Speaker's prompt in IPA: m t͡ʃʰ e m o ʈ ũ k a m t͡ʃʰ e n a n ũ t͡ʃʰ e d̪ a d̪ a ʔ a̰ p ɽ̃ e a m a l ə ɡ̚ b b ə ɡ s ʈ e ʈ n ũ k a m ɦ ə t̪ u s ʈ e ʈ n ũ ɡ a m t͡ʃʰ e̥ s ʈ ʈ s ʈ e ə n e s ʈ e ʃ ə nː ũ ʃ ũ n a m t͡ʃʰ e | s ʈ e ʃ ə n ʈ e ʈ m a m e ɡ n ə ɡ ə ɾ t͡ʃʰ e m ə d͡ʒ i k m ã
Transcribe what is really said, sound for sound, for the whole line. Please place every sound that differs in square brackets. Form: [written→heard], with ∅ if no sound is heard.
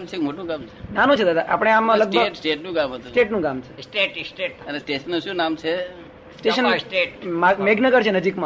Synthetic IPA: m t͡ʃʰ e m o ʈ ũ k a m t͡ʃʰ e n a n ũ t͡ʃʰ e d̪ a d̪ a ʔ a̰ p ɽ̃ e a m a l ə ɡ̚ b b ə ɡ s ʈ e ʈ n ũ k a m ɦ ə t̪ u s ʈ e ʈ n ũ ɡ a m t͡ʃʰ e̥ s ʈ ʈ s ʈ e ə n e s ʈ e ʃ ə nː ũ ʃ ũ n a m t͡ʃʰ e | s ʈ e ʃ ə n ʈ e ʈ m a m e ɡ n ə ɡ ə ɾ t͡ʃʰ e [m→n] ə d͡ʒ i k m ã